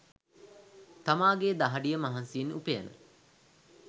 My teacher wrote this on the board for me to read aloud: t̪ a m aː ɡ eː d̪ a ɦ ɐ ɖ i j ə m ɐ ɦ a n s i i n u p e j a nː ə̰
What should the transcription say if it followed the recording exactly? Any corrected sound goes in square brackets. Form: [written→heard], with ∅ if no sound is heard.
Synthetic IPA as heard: t̪ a m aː ɡ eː d̪ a ɦ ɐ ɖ i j ə m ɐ ɦ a n s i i n u p e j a [nː→n] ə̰